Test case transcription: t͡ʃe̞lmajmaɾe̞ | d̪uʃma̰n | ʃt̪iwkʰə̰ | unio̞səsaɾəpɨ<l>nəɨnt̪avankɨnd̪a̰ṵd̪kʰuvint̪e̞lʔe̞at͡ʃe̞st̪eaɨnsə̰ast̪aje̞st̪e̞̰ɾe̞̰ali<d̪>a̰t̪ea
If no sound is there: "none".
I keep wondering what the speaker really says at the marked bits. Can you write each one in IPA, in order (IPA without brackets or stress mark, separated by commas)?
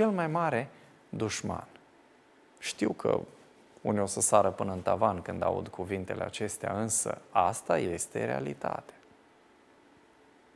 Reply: none, t̪